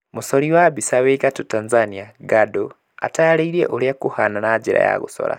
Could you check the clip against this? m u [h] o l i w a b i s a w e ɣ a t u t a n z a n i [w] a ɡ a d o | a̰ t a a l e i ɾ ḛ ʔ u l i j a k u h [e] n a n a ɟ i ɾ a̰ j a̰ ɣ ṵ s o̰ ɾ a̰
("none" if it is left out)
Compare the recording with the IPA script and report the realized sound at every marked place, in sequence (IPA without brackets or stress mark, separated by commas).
s, none, a